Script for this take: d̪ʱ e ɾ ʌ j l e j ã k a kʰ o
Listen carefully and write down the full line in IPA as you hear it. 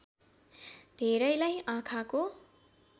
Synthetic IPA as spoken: d̪ʱ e ɾ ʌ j l a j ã kʰ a k o